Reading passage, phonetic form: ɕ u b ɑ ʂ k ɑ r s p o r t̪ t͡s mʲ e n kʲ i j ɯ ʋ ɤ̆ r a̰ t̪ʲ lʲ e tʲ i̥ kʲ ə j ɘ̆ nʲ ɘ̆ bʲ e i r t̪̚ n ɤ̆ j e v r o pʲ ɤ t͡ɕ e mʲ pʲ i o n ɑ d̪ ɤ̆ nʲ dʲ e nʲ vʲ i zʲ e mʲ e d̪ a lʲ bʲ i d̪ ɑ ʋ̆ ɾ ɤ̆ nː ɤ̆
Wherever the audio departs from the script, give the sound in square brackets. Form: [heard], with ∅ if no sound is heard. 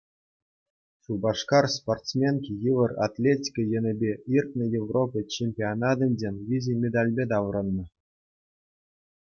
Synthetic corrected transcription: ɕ u b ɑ ʂ k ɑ r s p o r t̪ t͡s mʲ e n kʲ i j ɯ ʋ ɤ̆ r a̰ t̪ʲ lʲ e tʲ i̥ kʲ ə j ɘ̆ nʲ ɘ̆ bʲ e i r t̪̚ n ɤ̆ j e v r o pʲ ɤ t͡ɕ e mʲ pʲ i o n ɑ d̪ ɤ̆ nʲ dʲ e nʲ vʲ i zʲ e mʲ e d̪ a lʲ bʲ [e] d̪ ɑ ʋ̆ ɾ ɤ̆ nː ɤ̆